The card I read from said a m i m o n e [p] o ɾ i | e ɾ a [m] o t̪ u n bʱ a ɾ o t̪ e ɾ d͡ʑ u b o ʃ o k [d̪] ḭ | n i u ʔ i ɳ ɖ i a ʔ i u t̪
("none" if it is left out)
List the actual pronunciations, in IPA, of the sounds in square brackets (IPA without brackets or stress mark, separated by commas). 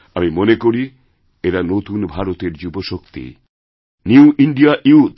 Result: k, n, t̪